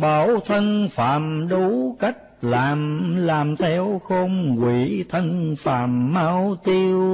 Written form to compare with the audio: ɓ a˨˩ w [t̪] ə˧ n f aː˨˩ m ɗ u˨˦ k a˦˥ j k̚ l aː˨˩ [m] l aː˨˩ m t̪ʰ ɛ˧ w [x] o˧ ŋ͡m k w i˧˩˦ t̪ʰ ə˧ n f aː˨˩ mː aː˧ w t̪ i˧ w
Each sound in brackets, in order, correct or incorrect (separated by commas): incorrect, correct, correct